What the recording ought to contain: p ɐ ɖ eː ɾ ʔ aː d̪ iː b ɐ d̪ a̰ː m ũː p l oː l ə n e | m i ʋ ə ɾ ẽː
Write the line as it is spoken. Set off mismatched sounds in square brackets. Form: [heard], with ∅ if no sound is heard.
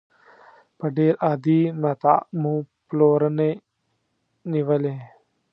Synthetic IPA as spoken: p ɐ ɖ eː ɾ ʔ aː d̪ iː [m] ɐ [t̪] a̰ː m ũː p l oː [ɾ] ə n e | [n] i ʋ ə [l] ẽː